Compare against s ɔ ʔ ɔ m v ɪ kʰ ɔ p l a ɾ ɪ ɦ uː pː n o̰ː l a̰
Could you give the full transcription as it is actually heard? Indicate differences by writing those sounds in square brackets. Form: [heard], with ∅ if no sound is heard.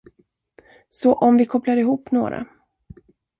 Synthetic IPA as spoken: s ɔ ʔ ɔ m v ɪ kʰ ɔ p l a ɾ ɪ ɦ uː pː n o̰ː [ɾ] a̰

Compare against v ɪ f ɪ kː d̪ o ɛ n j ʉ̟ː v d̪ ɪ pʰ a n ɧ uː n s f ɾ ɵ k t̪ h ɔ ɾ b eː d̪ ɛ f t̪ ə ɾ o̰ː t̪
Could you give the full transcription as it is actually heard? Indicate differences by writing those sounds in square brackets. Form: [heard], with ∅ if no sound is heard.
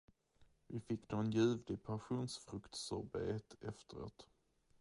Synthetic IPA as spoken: v ɪ f ɪ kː d̪ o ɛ n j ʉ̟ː v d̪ ɪ pʰ a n ɧ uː n s f ɾ ɵ k t̪ [s] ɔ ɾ b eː [t̪] ɛ f t̪ ə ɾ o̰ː t̪

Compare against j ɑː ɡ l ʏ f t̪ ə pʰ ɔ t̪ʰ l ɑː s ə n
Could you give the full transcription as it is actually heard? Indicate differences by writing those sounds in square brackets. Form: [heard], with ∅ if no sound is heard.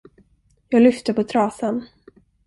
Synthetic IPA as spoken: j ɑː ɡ l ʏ f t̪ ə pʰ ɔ t̪ʰ [ɾ] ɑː s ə n

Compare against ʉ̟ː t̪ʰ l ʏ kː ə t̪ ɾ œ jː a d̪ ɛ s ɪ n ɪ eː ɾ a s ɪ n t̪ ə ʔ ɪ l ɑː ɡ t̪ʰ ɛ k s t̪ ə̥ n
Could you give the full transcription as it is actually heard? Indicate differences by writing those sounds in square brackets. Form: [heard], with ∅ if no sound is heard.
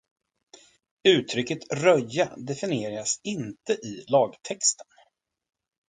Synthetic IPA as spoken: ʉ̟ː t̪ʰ [ɾ] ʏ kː ə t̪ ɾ œ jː a d̪ ɛ [f] ɪ n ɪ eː ɾ a s ɪ n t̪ ə ʔ ɪ l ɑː ɡ t̪ʰ ɛ k s t̪ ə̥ n

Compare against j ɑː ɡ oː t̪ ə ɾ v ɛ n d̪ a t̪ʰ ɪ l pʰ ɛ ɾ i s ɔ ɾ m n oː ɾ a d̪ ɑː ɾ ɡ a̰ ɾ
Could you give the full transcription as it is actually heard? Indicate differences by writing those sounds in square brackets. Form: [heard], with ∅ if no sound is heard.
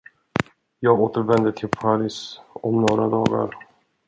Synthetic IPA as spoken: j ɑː ɡ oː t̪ ə ɾ v ɛ n d̪ [ə] t̪ʰ ɪ l pʰ [a] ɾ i s ɔ [∅] m n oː ɾ a d̪ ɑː [∅] ɡ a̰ ɾ

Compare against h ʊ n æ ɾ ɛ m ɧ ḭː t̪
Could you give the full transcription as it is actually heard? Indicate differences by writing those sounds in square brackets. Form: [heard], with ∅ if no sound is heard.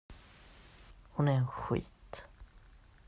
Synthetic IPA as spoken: h ʊ n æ ɾ ɛ [n] ɧ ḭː t̪

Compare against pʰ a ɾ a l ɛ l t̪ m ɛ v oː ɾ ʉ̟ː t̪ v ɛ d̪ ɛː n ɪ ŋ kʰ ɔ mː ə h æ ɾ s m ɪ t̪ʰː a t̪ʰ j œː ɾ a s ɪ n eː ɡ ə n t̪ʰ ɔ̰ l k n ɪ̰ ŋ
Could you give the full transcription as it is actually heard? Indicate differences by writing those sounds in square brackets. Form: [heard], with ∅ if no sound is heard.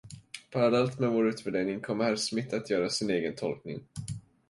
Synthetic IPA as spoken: pʰ a ɾ a l ɛ l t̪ m ɛ v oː ɾ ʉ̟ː t̪ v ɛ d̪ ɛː n ɪ ŋ kʰ ɔ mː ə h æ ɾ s m ɪ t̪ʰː a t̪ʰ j œː ɾ a s ɪ n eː ɡ ə n t̪ʰ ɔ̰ l k n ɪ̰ ŋ

